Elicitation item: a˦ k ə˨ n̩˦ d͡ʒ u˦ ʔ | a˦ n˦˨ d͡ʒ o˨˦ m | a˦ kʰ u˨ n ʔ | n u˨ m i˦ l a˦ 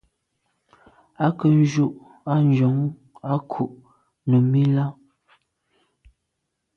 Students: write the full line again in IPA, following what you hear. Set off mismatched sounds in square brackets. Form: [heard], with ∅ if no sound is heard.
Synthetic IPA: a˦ k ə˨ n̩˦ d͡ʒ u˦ ʔ | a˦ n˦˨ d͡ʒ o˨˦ [ŋ] | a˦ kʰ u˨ [∅] ʔ | n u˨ m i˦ l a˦